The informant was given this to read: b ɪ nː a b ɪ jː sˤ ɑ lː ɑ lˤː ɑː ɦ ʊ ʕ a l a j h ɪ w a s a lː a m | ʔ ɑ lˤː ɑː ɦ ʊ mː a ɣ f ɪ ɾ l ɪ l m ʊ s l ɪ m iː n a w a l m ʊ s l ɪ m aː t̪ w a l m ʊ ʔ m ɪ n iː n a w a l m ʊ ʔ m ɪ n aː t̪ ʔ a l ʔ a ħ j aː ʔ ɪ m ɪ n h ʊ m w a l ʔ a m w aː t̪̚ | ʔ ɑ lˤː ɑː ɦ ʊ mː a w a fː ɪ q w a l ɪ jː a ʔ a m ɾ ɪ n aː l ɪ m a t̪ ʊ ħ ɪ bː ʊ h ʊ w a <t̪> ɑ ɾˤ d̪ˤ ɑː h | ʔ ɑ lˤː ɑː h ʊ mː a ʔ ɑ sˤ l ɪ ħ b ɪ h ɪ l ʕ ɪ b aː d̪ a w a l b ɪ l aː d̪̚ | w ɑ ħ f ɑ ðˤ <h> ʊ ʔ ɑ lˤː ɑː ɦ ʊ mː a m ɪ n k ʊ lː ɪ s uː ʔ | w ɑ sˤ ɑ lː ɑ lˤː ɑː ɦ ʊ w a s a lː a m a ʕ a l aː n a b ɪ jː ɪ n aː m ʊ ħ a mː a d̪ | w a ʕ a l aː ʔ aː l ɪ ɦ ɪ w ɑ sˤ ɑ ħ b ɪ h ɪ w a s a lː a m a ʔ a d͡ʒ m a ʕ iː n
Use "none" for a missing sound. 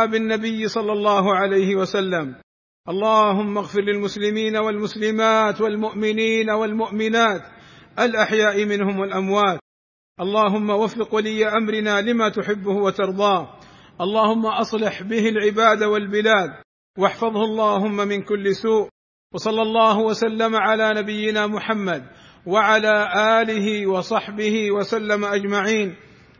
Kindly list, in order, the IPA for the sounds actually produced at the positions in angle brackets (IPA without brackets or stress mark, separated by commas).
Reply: t̪, h